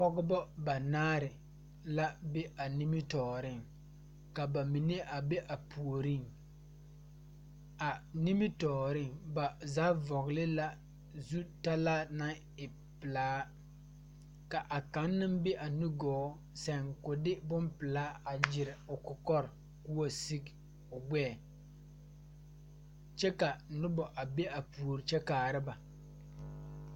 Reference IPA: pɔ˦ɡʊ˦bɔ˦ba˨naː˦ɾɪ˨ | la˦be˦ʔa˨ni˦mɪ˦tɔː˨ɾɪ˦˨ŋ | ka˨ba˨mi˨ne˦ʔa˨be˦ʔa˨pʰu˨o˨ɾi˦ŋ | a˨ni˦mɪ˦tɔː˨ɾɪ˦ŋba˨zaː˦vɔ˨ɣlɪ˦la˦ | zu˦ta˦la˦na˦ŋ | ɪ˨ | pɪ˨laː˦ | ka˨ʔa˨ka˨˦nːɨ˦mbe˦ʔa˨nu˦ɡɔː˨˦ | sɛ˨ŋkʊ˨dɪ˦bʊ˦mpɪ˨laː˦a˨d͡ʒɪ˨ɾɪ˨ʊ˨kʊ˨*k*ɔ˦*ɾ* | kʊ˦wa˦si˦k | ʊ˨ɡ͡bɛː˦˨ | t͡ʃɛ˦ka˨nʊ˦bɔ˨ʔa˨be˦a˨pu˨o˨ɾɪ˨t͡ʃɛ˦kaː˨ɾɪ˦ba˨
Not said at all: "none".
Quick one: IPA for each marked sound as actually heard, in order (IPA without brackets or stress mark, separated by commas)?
k, ɾ